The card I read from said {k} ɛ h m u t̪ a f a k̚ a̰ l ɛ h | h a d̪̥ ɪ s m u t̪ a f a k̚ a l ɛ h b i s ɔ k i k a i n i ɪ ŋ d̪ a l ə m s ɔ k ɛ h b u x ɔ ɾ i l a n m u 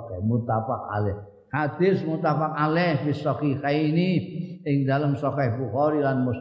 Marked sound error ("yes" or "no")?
no